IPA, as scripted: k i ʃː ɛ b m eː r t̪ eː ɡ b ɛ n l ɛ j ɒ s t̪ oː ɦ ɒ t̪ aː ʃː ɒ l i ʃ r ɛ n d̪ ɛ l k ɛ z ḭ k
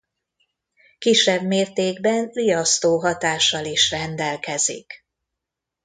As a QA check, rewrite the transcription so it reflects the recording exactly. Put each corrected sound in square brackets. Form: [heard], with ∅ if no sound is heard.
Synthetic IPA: k i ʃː ɛ b m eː r t̪ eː ɡ b ɛ n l [i] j ɒ s t̪ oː ɦ ɒ t̪ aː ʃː ɒ l i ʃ r ɛ n d̪ ɛ l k ɛ z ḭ k